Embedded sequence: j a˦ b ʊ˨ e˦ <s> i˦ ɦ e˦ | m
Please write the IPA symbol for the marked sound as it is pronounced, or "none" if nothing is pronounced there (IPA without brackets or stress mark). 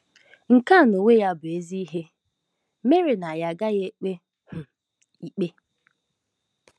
z